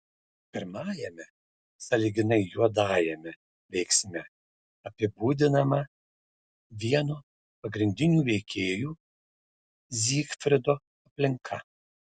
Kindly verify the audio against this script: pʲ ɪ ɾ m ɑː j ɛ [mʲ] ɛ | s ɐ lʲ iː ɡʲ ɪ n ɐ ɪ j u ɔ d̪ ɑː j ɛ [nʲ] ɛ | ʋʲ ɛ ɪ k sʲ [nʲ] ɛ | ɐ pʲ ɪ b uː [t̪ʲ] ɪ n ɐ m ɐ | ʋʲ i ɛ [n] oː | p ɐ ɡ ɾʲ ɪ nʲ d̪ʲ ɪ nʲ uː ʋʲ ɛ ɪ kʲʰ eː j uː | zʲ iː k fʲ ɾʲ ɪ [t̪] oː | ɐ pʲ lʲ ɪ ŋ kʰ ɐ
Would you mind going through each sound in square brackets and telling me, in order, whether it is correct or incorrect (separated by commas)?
correct, incorrect, incorrect, incorrect, correct, incorrect